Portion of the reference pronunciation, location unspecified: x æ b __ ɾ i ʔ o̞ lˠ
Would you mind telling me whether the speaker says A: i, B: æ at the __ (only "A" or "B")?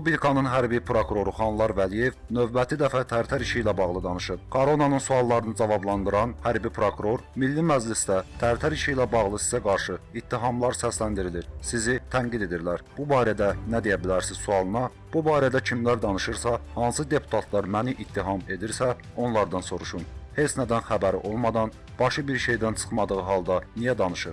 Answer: B